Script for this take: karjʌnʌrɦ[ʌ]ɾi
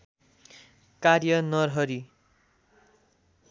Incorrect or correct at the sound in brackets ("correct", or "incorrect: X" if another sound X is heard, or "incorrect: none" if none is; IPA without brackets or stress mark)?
correct